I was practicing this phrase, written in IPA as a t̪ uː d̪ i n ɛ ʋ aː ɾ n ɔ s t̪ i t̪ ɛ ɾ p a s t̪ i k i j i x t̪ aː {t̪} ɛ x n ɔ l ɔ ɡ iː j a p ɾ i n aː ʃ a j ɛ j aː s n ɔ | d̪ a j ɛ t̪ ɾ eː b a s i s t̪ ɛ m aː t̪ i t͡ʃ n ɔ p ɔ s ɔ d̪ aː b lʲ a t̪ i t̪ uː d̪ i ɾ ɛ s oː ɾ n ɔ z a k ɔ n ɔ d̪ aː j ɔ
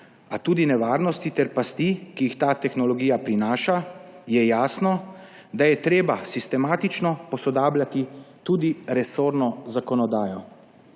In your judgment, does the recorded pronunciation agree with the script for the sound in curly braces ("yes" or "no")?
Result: yes